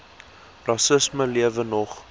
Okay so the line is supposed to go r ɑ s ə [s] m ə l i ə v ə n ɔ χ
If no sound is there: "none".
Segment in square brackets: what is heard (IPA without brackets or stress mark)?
s